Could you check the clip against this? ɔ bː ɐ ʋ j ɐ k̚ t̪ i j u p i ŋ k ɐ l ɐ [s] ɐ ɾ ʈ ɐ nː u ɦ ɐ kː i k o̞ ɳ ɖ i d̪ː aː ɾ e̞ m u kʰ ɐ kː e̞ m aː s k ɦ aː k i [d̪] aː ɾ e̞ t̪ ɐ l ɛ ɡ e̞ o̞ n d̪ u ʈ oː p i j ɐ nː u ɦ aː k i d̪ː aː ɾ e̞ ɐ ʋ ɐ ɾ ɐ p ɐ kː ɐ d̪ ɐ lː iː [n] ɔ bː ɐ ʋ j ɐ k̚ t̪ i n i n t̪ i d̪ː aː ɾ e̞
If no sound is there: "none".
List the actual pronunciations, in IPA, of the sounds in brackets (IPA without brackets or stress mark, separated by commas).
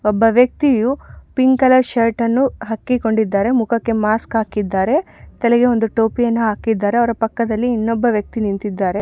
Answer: ʃ, d̪ː, nː